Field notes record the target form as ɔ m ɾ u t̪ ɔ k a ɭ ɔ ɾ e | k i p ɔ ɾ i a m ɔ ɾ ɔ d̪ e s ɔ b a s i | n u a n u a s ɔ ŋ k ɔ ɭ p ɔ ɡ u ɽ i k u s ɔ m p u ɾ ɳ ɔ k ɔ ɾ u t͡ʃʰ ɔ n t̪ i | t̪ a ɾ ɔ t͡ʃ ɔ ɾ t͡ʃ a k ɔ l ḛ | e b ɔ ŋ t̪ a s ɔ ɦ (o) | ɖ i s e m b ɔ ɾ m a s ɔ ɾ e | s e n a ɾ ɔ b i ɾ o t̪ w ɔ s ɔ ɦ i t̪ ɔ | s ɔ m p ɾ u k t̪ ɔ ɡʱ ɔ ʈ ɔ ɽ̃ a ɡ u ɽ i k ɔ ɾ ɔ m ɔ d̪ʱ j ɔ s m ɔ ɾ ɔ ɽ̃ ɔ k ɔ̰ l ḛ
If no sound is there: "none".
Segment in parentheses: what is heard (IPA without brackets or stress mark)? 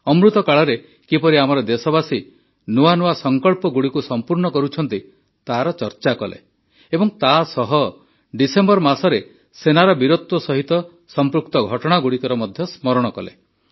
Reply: ɔ